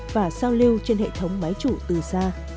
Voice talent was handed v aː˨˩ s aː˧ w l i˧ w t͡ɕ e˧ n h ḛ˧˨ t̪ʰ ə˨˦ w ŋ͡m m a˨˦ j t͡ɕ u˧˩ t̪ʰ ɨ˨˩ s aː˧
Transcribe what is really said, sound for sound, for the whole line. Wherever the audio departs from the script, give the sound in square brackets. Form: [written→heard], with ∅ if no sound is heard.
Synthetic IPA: v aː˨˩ s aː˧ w l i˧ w t͡ɕ e˧ n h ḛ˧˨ t̪ʰ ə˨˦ w ŋ͡m m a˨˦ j t͡ɕ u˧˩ [t̪ʰ→t̪] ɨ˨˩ s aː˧